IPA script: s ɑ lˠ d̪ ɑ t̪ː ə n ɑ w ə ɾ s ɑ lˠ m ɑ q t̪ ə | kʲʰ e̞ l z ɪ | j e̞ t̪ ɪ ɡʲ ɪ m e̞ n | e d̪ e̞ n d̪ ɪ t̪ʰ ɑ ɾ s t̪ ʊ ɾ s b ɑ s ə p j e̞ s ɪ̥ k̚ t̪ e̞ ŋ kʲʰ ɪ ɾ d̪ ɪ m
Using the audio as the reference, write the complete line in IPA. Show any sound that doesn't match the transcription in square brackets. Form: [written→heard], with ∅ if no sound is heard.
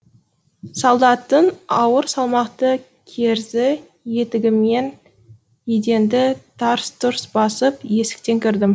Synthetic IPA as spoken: s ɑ lˠ d̪ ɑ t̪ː ə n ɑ w ə ɾ s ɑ lˠ m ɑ q t̪ ə | kʲʰ e̞ [l→ɾ] z ɪ | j e̞ t̪ ɪ ɡʲ ɪ m e̞ n | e d̪ e̞ n d̪ ɪ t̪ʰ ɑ ɾ s t̪ ʊ ɾ s b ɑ s ə p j e̞ s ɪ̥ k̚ t̪ e̞ ŋ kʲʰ ɪ ɾ d̪ ɪ m